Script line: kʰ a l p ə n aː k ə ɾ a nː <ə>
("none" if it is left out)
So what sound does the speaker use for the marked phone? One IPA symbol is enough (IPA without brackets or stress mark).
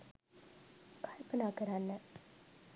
ə